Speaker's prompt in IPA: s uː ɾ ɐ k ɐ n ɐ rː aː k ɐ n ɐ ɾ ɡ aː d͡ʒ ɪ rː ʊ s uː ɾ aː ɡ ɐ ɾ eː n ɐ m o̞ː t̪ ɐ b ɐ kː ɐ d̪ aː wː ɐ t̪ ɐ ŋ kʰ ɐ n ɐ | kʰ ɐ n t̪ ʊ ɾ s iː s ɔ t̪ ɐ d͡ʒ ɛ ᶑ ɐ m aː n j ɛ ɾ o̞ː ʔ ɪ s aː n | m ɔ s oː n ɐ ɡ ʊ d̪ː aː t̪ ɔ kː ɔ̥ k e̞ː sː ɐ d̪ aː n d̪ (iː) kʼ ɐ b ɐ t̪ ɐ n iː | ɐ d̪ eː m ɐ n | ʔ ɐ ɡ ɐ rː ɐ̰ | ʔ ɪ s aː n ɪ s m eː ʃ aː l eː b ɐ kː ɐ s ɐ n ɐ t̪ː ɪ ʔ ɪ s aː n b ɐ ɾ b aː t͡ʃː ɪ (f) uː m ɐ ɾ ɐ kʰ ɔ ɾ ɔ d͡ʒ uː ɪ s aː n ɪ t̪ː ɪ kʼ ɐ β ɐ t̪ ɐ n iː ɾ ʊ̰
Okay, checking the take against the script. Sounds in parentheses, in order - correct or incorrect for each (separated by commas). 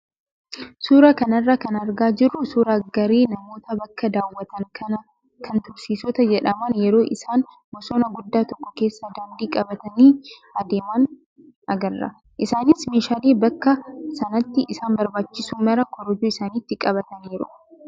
correct, incorrect